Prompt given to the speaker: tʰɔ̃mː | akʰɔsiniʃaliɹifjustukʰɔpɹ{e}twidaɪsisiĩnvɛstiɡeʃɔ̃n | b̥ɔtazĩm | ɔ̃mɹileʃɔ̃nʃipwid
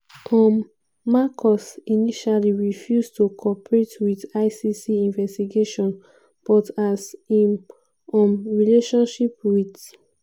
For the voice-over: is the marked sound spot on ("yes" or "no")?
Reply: yes